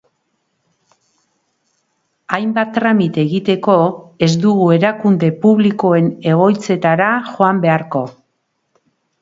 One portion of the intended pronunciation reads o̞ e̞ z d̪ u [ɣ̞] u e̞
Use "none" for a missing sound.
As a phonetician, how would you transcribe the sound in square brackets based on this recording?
ɣ̞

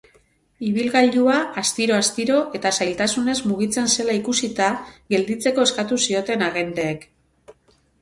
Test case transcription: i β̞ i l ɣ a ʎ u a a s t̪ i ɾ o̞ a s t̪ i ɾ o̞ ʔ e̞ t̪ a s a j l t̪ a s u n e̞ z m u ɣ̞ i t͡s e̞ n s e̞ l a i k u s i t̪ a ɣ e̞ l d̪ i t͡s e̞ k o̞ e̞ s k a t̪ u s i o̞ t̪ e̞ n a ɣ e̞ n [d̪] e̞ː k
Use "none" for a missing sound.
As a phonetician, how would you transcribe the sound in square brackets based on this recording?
d̪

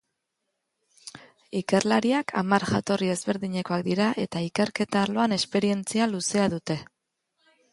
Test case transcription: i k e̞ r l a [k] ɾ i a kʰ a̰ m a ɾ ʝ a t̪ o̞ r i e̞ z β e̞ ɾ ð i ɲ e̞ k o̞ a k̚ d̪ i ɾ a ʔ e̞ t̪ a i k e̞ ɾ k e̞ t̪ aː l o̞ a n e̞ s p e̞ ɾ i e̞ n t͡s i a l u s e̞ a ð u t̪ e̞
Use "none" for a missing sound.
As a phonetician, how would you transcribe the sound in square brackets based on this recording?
none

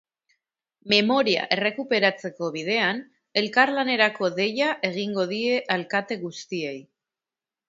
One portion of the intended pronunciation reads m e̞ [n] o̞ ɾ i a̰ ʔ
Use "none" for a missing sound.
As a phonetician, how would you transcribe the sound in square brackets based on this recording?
m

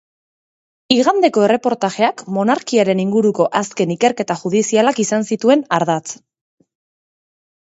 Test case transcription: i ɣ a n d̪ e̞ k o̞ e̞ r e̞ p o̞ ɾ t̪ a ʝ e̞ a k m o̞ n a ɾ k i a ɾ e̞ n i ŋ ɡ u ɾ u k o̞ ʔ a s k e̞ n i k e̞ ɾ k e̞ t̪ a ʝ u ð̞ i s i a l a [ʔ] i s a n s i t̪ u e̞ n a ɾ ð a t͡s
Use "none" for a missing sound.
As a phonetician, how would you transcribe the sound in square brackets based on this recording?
k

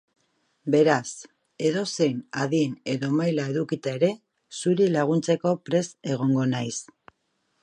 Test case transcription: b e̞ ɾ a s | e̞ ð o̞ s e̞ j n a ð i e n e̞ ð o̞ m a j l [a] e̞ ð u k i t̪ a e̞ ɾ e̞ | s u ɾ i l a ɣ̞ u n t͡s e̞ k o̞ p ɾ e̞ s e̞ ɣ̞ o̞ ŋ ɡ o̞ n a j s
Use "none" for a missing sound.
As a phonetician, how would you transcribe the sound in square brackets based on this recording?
a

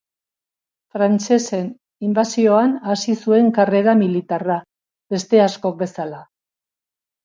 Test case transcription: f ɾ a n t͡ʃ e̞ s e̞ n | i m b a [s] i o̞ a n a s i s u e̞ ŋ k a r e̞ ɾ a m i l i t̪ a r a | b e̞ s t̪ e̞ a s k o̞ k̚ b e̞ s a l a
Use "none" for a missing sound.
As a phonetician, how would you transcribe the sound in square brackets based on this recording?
s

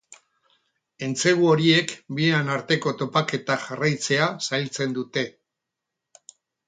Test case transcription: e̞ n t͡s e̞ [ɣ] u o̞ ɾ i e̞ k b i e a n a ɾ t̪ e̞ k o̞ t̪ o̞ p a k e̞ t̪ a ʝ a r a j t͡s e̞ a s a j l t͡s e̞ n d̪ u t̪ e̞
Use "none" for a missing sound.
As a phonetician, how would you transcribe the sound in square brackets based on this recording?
ɣ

